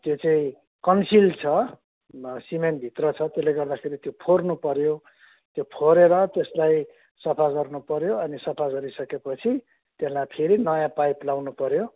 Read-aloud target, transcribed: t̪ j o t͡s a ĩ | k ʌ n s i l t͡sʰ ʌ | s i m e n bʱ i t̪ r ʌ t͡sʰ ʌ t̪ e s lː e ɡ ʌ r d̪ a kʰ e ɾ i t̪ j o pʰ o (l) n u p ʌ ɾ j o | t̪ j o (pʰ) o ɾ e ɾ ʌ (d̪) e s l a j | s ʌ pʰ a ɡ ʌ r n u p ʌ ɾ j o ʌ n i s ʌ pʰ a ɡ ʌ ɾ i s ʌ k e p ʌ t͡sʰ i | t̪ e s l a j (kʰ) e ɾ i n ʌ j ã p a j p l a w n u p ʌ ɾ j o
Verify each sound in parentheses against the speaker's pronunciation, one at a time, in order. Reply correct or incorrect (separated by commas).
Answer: incorrect, correct, incorrect, incorrect